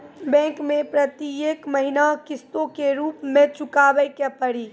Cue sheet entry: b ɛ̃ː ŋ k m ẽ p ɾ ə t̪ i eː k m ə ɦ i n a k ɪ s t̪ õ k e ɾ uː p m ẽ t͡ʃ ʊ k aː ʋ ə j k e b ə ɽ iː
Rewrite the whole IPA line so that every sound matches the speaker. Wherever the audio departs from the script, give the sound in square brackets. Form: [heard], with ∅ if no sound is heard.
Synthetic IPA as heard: b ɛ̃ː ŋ k m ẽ p ɾ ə t̪ i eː k m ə ɦ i n a k ɪ s t̪ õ k e ɾ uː p m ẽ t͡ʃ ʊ k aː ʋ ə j k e [p] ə ɽ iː